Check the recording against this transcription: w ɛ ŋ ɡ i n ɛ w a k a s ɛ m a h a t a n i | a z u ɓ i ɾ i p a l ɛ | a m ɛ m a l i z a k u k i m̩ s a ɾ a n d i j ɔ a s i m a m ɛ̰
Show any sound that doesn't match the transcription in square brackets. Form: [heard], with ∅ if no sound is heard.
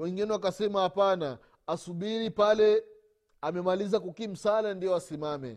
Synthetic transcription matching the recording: w ɛ ŋ ɡ i n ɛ w a k a s ɛ m a h a [p] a n [a] | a [s] u ɓ i ɾ i p a l ɛ | a m ɛ m a l i z a k u k i m̩ s a [l] a n d i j ɔ a s i m a m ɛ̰